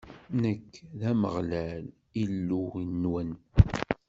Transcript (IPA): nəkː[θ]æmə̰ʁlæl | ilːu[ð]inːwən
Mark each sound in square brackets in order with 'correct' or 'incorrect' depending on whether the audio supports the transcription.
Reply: incorrect: ð, incorrect: none

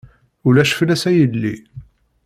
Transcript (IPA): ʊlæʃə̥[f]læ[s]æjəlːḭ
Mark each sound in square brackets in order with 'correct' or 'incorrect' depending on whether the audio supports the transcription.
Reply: correct, correct

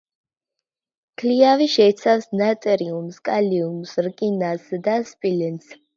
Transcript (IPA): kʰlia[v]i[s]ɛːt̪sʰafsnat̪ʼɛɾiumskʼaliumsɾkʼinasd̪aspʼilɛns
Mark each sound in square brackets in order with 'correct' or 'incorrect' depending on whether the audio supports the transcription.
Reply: correct, incorrect: ʃ

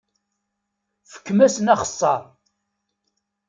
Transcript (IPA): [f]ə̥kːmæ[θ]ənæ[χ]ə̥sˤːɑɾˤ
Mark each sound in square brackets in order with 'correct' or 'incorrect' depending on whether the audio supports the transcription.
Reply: correct, incorrect: s, correct

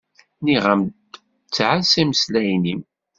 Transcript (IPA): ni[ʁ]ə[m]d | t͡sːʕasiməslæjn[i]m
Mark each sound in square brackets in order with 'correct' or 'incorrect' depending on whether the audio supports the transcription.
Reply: correct, correct, correct

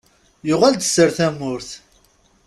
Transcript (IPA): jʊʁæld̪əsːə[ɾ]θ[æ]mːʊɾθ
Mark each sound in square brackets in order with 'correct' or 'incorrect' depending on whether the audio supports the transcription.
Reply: correct, correct

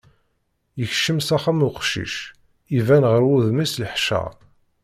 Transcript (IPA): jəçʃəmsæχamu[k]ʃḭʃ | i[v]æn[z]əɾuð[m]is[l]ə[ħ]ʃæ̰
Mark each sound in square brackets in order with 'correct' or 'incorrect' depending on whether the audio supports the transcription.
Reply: incorrect: q, correct, incorrect: ʁ, correct, correct, correct

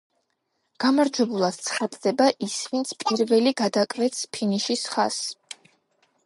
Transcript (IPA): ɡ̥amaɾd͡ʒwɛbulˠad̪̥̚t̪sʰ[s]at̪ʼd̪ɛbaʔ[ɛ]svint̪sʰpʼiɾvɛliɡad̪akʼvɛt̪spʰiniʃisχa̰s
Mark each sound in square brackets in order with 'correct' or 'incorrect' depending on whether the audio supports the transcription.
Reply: incorrect: χ, incorrect: i

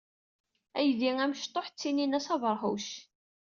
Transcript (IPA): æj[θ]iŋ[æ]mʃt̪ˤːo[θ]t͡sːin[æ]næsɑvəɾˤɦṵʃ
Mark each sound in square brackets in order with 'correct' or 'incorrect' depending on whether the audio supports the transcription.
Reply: incorrect: ð, correct, incorrect: ħ, incorrect: i

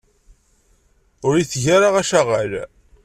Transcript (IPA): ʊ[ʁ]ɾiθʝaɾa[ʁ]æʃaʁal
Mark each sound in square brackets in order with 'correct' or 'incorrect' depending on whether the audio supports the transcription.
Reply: incorrect: none, correct

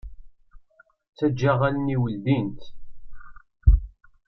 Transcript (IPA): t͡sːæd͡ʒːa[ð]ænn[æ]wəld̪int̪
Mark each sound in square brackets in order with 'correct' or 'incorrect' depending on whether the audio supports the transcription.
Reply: incorrect: ʁ, incorrect: i

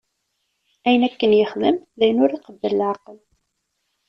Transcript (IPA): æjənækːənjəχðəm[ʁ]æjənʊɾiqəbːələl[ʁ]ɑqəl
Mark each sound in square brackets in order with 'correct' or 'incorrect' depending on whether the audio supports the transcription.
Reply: incorrect: ð, incorrect: ʕ

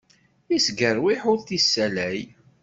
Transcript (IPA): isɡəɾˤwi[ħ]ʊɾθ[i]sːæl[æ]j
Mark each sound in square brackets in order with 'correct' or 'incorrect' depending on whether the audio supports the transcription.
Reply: correct, correct, correct

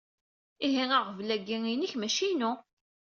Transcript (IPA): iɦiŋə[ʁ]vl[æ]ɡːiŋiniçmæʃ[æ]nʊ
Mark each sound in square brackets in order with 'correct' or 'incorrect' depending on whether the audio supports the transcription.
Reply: correct, correct, incorrect: i

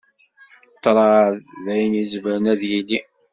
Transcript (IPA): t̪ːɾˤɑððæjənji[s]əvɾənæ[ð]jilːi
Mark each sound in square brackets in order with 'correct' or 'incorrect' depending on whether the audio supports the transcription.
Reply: incorrect: z, correct

